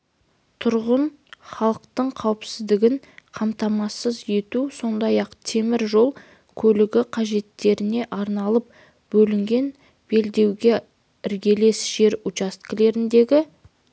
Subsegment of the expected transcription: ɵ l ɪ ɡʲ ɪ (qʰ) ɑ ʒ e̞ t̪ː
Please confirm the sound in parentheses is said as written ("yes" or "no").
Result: yes